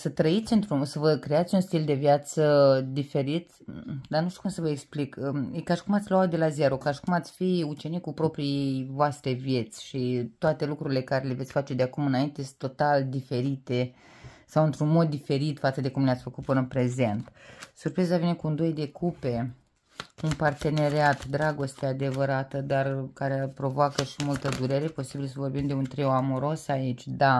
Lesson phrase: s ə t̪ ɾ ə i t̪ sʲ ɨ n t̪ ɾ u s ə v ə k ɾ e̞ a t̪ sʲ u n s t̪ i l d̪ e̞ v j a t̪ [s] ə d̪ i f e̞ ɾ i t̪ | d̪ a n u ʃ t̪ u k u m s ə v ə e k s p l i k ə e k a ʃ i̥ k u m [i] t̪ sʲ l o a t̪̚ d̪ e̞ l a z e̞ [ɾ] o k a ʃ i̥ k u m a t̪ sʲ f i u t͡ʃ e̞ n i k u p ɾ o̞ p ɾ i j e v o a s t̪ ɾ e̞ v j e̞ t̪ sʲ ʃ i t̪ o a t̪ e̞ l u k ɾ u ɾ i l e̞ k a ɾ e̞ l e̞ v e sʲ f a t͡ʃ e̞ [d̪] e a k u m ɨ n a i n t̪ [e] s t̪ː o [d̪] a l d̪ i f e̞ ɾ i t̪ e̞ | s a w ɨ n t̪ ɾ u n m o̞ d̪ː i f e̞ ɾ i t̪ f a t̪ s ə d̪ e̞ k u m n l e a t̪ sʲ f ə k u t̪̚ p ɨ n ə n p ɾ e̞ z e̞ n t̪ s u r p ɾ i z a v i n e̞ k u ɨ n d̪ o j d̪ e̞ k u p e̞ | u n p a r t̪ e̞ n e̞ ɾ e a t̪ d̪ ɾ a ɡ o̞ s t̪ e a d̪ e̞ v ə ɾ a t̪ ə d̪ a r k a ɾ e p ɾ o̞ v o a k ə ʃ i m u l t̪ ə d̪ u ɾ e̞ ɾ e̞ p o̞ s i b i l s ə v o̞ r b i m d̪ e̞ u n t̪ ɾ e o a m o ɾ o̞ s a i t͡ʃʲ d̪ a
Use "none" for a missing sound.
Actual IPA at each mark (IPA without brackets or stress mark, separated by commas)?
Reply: s, a, ɾ, d̪, e, t̪